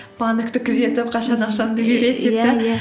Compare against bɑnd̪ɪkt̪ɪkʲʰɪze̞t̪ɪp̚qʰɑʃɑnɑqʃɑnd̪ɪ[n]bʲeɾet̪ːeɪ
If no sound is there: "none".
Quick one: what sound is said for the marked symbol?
none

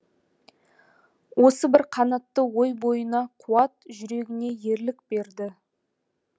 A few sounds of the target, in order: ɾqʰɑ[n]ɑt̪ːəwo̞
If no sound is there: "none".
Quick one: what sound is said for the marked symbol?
n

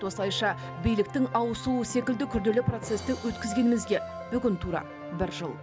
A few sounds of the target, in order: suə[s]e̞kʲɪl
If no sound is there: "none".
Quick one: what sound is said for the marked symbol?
s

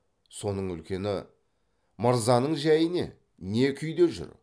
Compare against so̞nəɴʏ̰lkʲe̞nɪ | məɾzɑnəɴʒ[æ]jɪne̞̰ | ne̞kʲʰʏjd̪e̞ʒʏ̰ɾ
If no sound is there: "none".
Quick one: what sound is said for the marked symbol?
æ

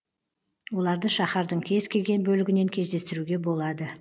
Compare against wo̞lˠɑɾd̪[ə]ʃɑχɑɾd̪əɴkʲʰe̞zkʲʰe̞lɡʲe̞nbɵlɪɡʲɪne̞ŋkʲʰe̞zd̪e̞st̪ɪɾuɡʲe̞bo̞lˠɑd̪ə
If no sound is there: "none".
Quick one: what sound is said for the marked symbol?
ə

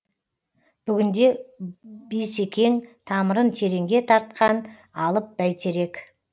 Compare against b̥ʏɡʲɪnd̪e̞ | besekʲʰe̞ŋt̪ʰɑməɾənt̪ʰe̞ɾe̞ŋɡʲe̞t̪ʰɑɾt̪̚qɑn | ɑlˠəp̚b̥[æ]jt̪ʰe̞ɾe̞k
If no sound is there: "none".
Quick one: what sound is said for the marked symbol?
æ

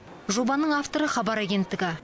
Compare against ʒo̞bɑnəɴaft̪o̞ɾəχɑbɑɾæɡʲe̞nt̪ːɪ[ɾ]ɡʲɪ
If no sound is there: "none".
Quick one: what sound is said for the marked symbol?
none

